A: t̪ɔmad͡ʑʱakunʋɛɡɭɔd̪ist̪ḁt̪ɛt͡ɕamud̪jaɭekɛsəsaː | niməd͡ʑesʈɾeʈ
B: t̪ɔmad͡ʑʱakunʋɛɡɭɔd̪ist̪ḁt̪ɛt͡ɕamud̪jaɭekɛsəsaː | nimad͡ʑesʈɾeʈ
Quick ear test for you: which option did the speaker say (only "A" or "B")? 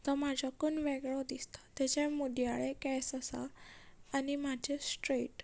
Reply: B